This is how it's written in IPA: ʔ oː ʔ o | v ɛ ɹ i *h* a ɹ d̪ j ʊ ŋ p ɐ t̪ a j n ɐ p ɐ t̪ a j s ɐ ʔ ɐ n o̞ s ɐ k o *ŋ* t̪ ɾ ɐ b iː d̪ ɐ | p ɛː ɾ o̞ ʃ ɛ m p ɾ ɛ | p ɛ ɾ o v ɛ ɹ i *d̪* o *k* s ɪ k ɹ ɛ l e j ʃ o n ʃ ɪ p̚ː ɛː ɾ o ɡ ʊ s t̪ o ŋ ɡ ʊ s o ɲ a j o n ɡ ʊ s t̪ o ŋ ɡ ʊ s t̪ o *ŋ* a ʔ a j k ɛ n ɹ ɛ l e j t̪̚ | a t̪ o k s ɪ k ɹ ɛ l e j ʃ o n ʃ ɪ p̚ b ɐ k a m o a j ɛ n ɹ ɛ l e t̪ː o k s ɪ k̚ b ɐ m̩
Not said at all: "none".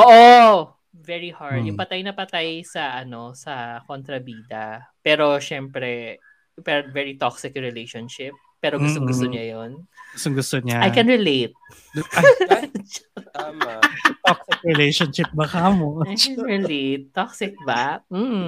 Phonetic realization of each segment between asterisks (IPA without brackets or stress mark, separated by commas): h, n, t̪, k, ɲ